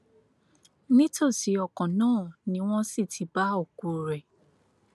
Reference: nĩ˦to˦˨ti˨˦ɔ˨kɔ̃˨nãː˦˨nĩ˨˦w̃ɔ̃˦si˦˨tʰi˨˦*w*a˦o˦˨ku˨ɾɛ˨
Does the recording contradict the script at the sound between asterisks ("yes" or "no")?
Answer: yes